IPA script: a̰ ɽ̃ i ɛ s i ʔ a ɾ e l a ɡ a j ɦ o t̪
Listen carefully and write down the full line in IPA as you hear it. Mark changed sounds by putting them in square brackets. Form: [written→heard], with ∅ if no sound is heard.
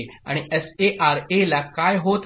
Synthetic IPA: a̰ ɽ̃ i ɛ s [i→e] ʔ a ɾ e l a [ɡ→k] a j ɦ o t̪